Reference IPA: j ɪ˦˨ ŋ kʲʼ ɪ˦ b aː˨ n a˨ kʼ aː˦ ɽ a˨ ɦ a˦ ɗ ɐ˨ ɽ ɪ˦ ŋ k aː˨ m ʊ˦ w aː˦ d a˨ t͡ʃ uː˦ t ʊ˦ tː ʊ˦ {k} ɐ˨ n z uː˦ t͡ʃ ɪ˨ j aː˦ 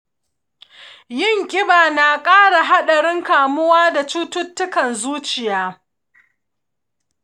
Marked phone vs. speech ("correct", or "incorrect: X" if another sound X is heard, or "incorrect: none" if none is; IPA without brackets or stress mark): correct